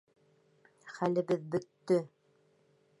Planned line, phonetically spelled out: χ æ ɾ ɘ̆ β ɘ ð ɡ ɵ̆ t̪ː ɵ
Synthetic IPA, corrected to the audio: χ æ l ɘ̆ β ɘ ð b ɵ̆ t̪ː ɵ